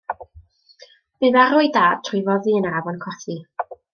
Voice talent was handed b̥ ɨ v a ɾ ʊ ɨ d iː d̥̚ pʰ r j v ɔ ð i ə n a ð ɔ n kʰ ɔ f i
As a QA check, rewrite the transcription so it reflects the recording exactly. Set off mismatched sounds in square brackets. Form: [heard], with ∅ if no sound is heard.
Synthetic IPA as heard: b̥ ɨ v a ɾ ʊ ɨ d [aː] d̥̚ [tʰ] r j v ɔ ð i ə n a [v] ɔ n kʰ ɔ [θ] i